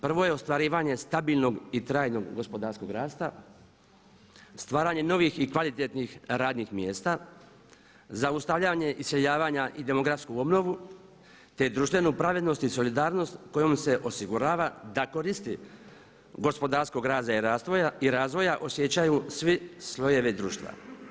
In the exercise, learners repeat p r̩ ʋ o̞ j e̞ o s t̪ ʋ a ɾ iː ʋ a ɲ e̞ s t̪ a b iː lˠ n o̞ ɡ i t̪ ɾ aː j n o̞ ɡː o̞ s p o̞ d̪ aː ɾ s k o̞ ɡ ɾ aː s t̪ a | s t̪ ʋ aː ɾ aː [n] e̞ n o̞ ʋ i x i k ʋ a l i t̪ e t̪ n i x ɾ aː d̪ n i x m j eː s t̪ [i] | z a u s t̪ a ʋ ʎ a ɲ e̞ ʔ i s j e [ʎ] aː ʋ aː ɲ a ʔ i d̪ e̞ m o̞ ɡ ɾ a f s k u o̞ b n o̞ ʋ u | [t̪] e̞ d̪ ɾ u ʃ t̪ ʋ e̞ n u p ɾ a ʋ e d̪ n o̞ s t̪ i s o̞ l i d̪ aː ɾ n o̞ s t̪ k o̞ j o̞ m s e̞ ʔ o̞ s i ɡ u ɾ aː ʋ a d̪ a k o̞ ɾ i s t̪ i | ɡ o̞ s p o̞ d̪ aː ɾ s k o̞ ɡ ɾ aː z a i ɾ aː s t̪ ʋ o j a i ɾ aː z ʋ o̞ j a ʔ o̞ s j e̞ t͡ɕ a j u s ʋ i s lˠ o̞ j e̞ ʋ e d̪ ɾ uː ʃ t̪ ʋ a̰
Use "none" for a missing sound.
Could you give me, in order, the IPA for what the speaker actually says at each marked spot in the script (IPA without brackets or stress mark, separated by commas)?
ɲ, a, ʎ, t̪